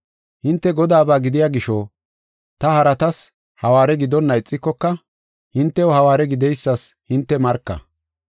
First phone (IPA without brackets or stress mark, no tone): h